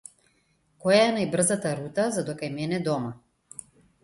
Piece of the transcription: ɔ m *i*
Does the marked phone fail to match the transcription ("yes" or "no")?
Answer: yes